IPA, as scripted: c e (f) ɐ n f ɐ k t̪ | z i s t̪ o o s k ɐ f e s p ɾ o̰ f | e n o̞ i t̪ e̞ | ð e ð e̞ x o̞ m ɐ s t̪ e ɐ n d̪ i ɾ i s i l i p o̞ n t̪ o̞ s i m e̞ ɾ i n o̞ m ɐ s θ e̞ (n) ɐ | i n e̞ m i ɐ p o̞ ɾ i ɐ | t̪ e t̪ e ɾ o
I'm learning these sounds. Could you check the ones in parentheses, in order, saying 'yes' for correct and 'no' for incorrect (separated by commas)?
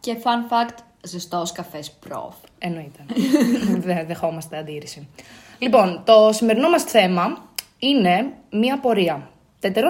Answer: yes, no